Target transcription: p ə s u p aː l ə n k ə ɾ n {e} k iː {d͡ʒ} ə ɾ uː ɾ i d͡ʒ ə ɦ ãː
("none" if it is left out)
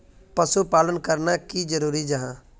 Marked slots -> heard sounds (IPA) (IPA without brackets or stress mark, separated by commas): a, d͡ʒ